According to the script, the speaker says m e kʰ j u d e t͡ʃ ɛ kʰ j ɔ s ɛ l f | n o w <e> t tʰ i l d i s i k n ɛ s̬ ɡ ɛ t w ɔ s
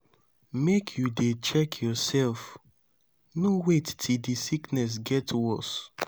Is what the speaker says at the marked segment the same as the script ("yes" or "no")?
yes